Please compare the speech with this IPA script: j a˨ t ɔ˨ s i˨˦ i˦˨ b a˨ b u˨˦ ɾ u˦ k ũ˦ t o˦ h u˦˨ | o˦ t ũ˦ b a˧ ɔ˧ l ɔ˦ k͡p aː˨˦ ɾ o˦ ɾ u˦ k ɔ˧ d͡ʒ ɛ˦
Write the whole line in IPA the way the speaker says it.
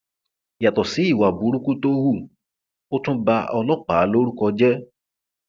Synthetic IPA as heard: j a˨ t ɔ˨ s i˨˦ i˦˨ w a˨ b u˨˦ ɾ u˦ k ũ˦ t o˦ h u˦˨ | o˦ t ũ˦ b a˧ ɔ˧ l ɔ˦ k͡p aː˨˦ l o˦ ɾ u˦ k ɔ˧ d͡ʒ ɛ˦